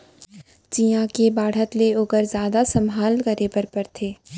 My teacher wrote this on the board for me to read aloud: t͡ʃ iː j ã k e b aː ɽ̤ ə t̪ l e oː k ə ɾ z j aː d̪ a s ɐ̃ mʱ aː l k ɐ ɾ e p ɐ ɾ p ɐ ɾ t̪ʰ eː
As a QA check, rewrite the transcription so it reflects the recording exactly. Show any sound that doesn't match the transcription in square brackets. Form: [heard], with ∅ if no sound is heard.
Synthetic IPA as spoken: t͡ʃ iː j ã k e b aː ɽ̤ ə t̪ l e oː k ə ɾ z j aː d̪ a s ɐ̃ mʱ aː l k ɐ ɾ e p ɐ ɾ p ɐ ɾ t̪ʰ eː